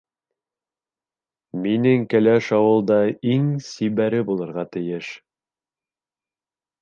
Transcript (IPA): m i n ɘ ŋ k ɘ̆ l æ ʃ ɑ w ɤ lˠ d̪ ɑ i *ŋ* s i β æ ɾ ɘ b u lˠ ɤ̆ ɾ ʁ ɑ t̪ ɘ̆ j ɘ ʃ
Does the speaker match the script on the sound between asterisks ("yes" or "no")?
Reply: yes